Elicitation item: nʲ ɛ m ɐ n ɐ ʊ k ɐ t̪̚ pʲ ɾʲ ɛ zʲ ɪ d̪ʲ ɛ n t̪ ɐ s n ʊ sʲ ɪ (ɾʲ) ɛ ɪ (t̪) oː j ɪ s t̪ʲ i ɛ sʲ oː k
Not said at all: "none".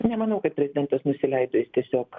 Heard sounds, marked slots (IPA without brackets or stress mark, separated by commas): lʲ, d̪